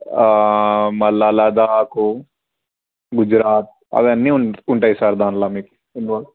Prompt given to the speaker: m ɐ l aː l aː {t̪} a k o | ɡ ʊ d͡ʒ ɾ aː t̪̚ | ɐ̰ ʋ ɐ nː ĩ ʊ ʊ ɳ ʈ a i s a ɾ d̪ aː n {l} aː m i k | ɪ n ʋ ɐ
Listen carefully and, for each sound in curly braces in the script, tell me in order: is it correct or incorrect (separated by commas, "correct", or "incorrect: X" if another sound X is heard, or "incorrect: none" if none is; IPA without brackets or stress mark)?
incorrect: d̪, correct